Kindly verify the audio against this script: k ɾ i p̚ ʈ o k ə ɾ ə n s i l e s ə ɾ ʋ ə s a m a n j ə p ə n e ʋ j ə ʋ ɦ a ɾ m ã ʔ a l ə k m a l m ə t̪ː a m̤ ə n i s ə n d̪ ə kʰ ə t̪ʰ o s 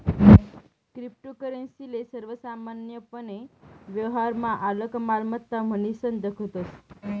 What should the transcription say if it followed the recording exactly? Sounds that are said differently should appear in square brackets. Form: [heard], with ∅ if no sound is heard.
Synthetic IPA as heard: k ɾ i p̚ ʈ o k ə ɾ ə n s i l e s ə ɾ ʋ ə s a m a n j ə p ə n e ʋ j ə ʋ ɦ a ɾ m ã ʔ a l ə k m a l m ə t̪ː a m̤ ə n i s ə n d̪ ə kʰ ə [t̪] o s